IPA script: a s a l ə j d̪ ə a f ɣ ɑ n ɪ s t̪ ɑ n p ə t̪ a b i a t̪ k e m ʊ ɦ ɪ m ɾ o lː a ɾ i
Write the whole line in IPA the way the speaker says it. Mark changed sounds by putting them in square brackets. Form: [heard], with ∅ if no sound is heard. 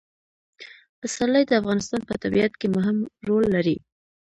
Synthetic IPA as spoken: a s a l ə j d̪ ə a f ɣ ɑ n ɪ s t̪ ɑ n p ə t̪ a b i a t̪ k e m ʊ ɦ ɪ m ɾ o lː a ɾ i